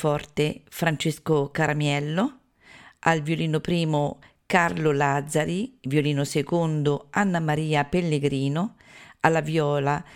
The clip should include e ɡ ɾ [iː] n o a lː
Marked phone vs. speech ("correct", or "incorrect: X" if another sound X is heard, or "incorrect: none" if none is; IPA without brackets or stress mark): correct